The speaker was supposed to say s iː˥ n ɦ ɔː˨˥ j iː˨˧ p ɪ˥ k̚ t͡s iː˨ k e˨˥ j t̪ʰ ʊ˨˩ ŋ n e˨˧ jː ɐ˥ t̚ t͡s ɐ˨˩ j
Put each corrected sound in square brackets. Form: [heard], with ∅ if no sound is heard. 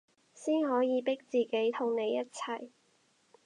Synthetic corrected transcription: s iː˥ n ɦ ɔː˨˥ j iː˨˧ p ɪ˥ k̚ t͡s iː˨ k e˨˥ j t̪ʰ ʊ˨˩ ŋ n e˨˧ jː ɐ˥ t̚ [t͡sʰ] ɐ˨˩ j